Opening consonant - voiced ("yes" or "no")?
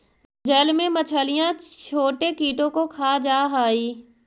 yes